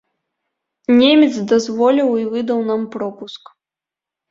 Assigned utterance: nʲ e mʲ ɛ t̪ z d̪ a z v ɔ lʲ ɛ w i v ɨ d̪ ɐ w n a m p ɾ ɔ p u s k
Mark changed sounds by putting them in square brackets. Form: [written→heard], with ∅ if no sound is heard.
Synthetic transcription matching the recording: nʲ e mʲ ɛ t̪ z d̪ a z v ɔ lʲ [ɛ→i] w i v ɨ d̪ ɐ w n a m p ɾ ɔ p u s k